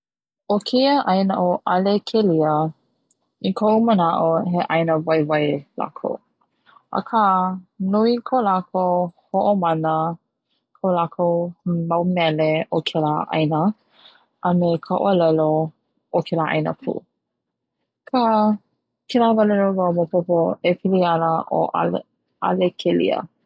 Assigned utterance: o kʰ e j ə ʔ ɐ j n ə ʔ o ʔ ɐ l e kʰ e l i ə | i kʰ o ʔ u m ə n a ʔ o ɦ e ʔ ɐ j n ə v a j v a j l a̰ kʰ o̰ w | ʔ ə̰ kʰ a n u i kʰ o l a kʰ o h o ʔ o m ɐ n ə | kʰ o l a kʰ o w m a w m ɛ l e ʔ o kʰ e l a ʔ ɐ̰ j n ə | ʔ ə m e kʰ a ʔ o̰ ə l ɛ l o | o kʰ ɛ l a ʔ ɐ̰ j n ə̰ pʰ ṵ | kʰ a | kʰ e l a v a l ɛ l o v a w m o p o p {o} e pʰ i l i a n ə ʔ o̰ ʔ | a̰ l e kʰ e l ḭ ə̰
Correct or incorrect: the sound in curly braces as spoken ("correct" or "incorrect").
correct